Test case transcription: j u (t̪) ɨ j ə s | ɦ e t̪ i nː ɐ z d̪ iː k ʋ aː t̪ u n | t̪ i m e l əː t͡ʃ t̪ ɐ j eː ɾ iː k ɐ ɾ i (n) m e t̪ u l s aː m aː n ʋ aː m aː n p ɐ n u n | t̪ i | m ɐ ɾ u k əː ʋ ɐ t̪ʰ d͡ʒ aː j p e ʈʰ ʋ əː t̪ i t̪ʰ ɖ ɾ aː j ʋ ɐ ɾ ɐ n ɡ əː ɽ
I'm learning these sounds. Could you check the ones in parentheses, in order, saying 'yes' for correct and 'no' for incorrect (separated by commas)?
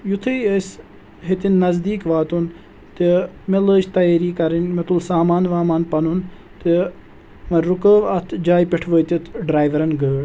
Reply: no, yes